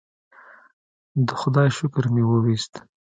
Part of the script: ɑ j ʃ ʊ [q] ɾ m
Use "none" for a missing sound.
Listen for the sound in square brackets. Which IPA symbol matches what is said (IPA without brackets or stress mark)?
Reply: k